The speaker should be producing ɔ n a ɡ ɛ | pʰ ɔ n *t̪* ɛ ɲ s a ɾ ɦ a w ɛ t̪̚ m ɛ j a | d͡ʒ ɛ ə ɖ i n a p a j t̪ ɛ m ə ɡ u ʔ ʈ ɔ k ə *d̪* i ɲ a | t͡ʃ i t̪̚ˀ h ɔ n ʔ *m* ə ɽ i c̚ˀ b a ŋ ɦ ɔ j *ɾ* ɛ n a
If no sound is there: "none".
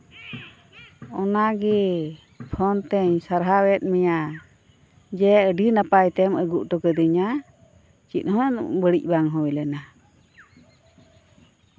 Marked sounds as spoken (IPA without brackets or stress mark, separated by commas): t̪, d̪, b, l